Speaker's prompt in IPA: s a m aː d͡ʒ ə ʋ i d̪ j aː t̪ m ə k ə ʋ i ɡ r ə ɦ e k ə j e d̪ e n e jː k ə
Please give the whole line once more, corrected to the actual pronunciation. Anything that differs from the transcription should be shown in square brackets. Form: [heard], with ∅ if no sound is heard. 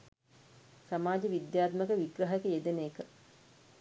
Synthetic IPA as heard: s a m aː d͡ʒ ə ʋ i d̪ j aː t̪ m ə k ə ʋ i ɡ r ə ɦ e k ə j e d̪ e n e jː k ə